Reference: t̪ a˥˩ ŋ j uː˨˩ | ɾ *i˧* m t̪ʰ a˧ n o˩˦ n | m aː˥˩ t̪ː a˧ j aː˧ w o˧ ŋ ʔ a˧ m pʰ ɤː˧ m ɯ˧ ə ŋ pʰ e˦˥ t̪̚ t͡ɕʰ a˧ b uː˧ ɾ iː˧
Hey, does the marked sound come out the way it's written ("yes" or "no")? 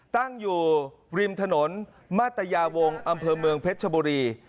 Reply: yes